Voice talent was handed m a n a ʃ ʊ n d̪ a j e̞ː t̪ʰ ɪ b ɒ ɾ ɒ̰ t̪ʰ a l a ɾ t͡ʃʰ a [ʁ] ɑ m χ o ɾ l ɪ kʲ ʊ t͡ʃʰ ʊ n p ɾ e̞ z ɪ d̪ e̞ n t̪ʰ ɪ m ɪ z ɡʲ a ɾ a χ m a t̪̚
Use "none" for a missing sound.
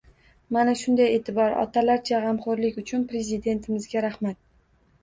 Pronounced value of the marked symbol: ʁ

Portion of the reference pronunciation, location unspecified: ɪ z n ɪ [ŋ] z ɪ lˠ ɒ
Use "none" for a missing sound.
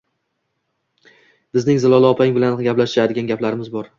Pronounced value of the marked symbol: ŋ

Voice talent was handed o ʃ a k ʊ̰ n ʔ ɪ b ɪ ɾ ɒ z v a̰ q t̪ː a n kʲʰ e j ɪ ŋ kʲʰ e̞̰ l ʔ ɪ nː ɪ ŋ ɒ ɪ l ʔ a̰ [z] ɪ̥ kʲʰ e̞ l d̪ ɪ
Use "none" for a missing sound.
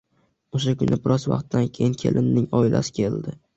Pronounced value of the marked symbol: s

